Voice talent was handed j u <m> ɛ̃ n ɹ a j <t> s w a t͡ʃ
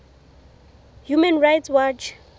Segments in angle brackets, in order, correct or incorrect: correct, correct

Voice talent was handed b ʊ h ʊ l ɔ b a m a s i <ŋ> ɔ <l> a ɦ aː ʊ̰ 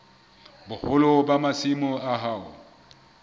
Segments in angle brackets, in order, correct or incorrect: incorrect, incorrect

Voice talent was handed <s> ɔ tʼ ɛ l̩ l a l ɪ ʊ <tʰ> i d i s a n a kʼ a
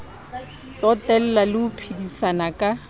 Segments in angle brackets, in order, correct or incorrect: correct, incorrect

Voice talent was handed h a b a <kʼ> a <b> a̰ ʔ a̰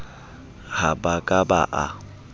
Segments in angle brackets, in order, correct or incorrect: correct, correct

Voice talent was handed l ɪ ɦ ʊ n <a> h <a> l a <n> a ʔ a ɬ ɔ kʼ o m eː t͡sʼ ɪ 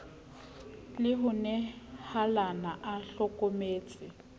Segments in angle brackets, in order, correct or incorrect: incorrect, correct, correct

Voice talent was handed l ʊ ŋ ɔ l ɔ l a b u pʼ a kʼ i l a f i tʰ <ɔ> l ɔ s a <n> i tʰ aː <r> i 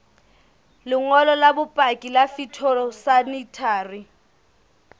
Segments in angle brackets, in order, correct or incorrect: correct, correct, correct

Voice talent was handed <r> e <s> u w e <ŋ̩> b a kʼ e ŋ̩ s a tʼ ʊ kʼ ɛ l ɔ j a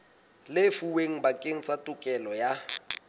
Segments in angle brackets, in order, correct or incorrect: incorrect, incorrect, correct

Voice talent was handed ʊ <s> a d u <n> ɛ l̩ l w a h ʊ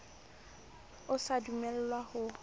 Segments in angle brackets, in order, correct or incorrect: correct, incorrect

